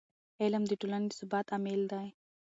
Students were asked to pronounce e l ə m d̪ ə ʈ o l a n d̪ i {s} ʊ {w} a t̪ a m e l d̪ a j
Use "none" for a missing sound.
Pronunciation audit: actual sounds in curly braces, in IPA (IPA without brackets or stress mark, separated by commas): s, b